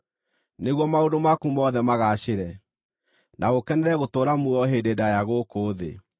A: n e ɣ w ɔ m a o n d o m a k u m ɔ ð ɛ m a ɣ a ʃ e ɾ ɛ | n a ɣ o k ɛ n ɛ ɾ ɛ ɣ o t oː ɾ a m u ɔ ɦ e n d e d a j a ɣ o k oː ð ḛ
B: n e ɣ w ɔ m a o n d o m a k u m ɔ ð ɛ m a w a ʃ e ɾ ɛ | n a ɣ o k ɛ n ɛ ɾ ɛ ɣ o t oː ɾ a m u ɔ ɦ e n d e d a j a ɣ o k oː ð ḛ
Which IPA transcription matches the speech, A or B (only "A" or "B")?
A